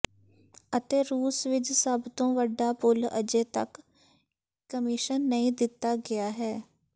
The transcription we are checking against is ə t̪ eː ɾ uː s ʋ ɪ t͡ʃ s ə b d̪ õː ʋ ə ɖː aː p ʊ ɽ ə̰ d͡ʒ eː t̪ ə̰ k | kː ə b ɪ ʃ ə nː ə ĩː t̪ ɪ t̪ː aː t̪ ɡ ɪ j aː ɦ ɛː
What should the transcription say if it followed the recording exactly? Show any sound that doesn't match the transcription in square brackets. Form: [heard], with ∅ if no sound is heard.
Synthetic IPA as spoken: ə t̪ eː ɾ uː s ʋ ɪ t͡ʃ s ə b [t̪] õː ʋ ə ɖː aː p ʊ [l] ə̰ d͡ʒ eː t̪ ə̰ k | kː ə [m] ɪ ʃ ə nː ə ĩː [d̪] ɪ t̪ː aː [∅] ɡ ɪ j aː ɦ ɛː